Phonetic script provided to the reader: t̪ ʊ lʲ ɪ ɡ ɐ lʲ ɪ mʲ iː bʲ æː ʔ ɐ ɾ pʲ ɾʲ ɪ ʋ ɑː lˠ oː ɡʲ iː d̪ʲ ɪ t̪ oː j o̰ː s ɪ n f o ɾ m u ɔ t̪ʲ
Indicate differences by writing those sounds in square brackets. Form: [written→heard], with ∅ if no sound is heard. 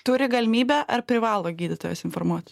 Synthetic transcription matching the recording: t̪ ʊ [lʲ→ɾʲ] ɪ ɡ ɐ lʲ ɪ mʲ iː bʲ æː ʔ ɐ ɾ pʲ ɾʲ ɪ ʋ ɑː lˠ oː ɡʲ iː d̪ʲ ɪ t̪ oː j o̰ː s ɪ n f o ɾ m u ɔ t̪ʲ